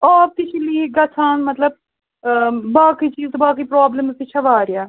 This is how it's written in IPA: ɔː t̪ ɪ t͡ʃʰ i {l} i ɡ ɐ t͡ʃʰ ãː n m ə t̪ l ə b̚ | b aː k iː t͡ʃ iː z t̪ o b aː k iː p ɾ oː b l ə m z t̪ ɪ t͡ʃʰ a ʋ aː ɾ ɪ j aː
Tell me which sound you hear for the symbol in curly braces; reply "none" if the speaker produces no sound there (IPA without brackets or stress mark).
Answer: l